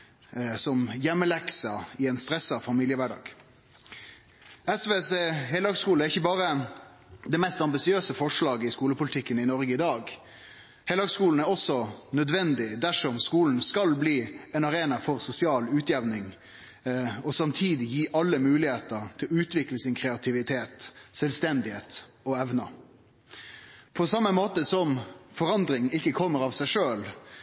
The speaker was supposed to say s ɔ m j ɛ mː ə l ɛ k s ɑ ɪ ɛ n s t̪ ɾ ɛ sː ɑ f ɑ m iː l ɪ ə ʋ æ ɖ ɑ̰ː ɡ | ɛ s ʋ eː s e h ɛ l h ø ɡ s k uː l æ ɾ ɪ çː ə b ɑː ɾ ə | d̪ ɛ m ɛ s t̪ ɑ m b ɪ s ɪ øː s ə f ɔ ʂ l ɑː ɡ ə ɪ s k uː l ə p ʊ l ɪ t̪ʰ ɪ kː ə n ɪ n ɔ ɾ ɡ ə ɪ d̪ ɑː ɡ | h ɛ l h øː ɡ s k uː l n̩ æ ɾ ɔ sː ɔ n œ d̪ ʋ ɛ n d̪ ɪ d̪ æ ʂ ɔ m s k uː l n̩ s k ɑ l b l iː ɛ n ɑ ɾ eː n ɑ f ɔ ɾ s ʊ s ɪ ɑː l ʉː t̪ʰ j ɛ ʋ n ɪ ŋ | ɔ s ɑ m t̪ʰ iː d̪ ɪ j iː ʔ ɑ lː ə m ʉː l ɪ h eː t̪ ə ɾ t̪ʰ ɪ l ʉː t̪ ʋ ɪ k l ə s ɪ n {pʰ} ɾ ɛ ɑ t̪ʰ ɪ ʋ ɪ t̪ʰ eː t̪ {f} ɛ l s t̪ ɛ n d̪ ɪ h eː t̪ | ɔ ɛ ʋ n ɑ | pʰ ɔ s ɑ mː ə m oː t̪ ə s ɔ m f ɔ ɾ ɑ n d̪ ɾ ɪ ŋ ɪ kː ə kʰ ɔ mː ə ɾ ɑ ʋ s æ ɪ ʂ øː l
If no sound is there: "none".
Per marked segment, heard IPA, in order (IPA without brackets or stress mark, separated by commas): kʰ, s